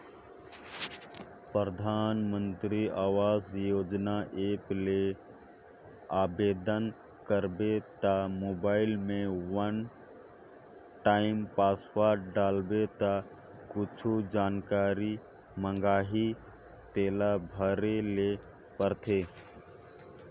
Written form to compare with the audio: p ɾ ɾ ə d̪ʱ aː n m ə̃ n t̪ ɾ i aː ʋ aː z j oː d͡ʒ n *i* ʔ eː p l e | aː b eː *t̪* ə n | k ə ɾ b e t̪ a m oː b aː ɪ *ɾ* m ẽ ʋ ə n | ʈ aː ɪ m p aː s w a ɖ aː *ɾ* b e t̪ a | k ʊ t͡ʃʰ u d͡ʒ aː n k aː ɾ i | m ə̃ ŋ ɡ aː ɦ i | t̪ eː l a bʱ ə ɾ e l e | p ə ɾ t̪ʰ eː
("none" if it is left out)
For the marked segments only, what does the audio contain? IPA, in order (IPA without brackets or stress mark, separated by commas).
a, d̪, l, l